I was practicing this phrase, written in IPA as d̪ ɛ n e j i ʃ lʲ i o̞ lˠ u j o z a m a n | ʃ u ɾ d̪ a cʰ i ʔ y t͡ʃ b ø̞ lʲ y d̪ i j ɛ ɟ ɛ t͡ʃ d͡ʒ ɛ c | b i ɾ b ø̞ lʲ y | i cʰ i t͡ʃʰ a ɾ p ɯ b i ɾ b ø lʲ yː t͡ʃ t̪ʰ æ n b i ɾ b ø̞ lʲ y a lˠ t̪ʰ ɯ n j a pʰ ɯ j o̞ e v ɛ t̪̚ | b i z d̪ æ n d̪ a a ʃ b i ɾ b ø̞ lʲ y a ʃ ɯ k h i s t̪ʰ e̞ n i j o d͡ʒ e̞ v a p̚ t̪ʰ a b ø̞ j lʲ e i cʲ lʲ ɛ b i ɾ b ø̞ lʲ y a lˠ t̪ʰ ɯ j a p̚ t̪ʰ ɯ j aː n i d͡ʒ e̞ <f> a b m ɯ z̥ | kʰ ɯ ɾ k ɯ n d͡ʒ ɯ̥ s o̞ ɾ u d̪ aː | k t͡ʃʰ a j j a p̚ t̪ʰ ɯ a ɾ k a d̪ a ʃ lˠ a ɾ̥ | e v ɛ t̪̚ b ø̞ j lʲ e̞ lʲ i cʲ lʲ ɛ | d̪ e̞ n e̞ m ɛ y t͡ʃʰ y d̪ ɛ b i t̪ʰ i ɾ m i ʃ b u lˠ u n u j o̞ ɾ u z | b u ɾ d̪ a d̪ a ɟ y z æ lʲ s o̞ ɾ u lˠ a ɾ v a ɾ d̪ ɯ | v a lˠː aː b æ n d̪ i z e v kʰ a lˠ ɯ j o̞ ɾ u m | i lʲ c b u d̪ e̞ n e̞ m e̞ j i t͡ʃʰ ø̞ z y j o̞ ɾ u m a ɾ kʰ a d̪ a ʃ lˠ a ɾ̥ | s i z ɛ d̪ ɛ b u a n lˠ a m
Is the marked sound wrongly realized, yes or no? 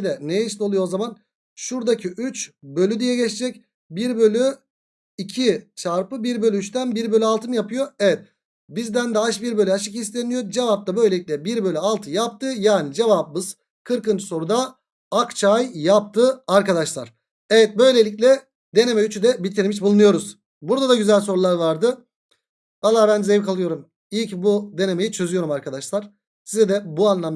yes